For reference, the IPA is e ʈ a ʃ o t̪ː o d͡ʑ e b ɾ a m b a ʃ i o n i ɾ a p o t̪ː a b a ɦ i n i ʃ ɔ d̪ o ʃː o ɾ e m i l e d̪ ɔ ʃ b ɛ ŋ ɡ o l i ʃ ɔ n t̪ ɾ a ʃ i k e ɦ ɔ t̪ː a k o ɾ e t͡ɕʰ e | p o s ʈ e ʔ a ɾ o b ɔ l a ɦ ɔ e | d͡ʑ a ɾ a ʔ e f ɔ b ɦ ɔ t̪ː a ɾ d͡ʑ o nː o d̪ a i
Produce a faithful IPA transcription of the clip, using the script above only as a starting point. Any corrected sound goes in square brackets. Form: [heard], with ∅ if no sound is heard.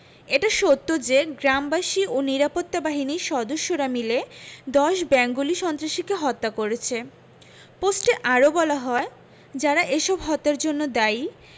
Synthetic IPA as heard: e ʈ a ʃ o t̪ː o d͡ʑ e [ɡ] ɾ a m b a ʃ i o n i ɾ a p o t̪ː a b a ɦ i n i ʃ ɔ d̪ o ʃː o ɾ [a] m i l e d̪ ɔ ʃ b ɛ ŋ ɡ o l i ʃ ɔ n t̪ ɾ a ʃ i k e ɦ ɔ t̪ː a k o ɾ e t͡ɕʰ e | p o s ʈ e ʔ a ɾ o b ɔ l a ɦ ɔ e | d͡ʑ a ɾ a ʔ e [ʃ] ɔ b ɦ ɔ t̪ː a ɾ d͡ʑ o nː o d̪ a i